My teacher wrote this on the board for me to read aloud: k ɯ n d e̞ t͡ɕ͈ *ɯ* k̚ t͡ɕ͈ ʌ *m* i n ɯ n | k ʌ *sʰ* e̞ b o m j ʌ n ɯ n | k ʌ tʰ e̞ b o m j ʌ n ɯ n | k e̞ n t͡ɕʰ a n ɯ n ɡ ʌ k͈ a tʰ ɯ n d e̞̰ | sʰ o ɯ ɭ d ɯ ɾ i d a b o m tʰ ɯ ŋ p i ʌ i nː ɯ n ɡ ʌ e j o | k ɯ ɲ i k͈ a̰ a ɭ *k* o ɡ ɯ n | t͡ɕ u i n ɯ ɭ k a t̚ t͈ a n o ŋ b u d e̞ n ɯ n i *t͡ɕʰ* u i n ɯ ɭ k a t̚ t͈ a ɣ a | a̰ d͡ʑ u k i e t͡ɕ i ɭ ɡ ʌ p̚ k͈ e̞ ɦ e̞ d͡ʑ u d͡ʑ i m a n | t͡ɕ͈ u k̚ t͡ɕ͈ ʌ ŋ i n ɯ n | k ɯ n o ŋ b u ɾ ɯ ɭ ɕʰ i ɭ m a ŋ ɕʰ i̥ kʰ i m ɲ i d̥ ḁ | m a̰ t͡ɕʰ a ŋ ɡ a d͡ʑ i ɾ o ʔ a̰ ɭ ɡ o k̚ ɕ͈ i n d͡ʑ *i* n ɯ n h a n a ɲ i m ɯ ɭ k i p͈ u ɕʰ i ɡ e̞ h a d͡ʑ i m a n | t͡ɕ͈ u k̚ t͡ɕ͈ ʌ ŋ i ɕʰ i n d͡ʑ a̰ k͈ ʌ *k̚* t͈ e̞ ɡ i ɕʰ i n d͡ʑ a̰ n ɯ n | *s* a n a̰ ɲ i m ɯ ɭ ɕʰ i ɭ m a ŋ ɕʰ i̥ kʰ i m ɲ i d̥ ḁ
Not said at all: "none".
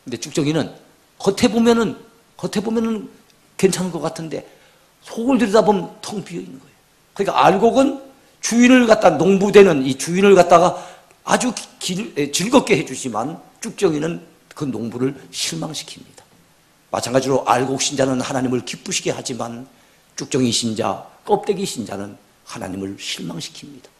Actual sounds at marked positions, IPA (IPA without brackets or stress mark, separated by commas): u, ŋ, tʰ, ɡ, t͡ɕ, a, p̚, h